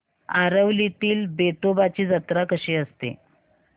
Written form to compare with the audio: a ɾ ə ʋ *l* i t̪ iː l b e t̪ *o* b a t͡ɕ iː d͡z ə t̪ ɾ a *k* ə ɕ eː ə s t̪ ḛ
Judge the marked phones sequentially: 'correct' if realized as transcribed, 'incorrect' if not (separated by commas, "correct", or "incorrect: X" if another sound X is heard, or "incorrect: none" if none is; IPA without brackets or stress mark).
correct, correct, correct